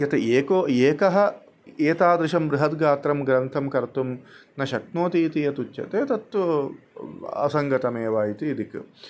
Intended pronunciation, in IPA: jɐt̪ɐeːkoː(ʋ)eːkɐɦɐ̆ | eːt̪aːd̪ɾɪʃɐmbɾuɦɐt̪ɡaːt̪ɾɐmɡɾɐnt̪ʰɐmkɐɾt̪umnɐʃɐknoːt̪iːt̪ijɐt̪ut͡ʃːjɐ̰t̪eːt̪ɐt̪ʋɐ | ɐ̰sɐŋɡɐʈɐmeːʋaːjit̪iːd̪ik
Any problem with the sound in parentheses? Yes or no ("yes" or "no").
yes